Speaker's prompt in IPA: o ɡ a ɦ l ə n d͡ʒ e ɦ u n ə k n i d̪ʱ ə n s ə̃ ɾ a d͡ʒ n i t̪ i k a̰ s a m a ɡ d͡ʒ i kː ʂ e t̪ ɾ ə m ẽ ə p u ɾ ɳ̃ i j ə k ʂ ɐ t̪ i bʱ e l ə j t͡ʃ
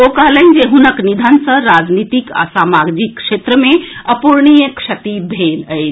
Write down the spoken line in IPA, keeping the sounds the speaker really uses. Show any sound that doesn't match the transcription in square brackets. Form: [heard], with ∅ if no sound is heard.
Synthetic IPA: o [k] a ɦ l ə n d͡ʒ e ɦ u n ə k n i d̪ʱ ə n s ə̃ ɾ a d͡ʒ n i t̪ i k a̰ s a m a ɡ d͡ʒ i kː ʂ e t̪ ɾ ə m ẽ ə p u ɾ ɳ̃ i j ə k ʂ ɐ t̪ i bʱ e l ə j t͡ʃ